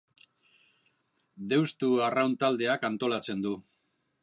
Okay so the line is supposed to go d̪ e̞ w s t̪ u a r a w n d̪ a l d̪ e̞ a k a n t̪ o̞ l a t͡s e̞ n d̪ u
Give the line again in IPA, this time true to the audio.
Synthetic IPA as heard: d̪ e̞ w s t̪ u a r a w n t̪ a l d̪ e̞ a k a n t̪ o̞ l a t͡s e̞ n d̪ u